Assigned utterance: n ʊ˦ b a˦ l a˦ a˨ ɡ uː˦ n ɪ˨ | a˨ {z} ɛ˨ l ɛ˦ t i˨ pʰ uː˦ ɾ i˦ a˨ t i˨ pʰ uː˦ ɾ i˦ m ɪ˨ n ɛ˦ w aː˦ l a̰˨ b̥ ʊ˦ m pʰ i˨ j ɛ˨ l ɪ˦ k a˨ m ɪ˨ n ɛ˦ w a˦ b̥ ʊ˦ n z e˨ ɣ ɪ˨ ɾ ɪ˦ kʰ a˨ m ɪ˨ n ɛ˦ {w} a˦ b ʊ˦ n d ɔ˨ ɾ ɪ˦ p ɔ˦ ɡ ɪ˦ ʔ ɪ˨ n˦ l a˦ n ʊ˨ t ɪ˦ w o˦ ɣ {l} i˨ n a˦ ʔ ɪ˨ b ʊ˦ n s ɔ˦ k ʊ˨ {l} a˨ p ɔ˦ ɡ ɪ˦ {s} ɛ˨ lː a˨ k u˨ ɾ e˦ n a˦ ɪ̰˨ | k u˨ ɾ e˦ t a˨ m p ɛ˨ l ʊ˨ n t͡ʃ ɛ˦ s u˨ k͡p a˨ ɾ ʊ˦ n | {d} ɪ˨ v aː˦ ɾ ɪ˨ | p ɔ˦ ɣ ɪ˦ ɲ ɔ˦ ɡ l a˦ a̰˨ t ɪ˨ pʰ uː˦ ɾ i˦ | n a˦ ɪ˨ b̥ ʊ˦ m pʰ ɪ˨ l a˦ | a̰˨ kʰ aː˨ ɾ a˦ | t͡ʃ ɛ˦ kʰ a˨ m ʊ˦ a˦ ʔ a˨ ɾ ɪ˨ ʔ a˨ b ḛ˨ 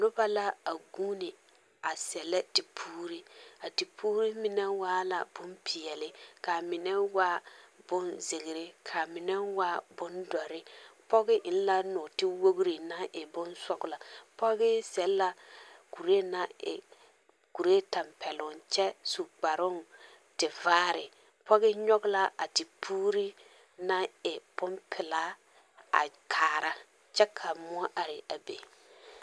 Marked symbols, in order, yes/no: no, yes, no, yes, yes, no

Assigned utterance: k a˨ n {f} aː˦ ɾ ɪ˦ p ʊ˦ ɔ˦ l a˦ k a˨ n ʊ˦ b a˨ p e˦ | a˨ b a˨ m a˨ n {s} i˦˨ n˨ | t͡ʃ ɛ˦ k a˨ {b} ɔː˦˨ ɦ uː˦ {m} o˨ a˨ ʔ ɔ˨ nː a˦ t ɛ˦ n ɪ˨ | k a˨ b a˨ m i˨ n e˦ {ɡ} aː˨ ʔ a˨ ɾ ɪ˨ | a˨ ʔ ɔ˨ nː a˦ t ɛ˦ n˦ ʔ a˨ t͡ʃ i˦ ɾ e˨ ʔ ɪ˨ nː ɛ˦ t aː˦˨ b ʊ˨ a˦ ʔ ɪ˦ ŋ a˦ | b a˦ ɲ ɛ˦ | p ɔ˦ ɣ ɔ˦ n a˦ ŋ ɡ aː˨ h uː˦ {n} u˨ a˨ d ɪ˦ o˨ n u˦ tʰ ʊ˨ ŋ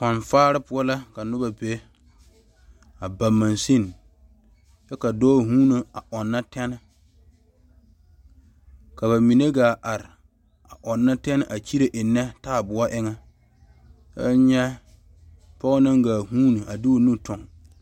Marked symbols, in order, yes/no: yes, yes, no, no, yes, yes

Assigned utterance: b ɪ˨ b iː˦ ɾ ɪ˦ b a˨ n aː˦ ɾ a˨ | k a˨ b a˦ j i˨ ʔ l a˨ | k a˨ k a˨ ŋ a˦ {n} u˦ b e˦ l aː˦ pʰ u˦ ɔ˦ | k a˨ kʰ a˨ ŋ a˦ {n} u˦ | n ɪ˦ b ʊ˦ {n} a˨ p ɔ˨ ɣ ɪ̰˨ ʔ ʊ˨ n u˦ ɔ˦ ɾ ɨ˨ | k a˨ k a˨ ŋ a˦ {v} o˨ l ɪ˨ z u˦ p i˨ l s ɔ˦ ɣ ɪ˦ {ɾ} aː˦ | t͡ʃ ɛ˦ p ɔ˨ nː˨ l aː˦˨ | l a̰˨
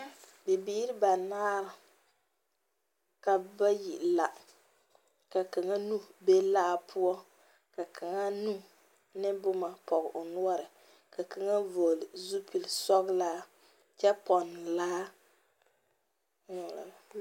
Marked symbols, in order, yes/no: yes, yes, no, yes, no

